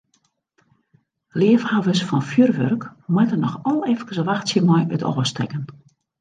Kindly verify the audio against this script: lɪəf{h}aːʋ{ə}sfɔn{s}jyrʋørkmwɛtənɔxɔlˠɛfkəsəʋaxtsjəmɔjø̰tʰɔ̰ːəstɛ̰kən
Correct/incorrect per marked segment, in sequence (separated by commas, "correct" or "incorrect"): correct, correct, incorrect